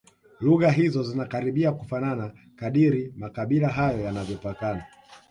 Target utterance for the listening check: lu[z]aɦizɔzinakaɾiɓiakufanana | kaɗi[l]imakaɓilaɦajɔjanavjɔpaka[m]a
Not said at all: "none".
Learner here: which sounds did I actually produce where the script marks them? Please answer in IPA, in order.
ɣ, ɾ, n

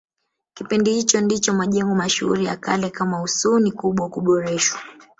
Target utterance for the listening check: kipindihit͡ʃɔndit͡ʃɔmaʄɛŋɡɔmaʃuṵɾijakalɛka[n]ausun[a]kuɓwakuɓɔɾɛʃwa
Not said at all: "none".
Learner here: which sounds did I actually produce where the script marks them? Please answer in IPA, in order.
m, i

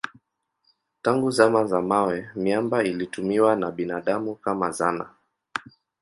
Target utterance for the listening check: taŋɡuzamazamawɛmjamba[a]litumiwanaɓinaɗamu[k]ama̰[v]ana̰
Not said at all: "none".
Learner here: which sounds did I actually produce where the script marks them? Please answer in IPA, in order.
i, k, z

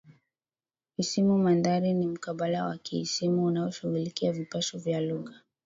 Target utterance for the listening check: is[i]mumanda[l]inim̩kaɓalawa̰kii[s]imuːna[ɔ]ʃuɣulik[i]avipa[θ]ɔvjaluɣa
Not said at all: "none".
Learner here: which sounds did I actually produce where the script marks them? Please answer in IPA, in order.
i, ɾ, s, ɔ, i, ʃ

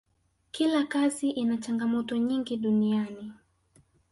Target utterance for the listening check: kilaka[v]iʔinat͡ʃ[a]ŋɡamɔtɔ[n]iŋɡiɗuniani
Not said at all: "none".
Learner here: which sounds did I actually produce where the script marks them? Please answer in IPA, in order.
z, a, ɲ

